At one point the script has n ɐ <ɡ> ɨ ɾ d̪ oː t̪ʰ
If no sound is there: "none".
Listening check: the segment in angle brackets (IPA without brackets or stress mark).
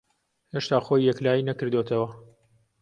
k